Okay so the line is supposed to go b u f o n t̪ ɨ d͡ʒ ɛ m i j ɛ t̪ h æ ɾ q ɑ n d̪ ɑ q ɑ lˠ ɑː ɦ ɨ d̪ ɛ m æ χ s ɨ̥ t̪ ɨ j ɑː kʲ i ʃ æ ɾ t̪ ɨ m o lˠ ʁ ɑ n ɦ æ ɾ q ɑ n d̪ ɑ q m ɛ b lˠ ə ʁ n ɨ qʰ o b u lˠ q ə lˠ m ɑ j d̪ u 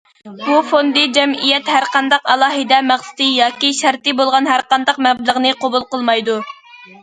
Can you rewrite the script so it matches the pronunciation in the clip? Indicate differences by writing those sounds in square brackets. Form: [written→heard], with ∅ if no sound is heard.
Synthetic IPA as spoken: b u f o n [t̪→d̪] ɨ d͡ʒ ɛ m i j ɛ t̪ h æ ɾ q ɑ n d̪ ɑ q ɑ lˠ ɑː ɦ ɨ d̪ ɛ m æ χ s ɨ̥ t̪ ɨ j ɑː kʲ i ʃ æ ɾ t̪ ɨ [m→b] o lˠ ʁ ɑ n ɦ æ ɾ q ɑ n d̪ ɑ q m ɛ b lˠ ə ʁ n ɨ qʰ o b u lˠ q ə lˠ m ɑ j d̪ u